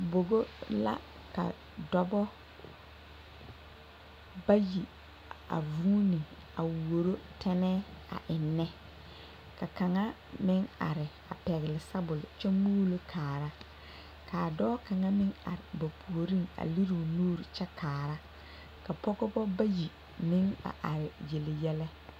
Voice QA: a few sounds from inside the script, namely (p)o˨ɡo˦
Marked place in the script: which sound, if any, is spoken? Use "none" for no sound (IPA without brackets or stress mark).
b